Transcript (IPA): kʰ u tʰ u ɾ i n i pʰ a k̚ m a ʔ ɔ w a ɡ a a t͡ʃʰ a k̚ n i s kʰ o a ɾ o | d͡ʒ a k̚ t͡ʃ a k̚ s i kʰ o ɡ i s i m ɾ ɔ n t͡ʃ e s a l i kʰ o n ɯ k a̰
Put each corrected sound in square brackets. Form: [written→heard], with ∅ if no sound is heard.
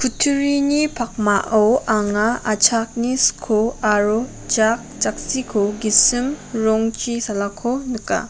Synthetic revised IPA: kʰ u tʰ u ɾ i n i pʰ a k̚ m a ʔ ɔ w a [ɡ→ŋ] a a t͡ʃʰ a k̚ n i s kʰ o a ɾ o | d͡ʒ a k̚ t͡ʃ a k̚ s i kʰ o ɡ i s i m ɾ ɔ [n→ŋ] t͡ʃ [e→i] s a l [i→a] kʰ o n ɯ k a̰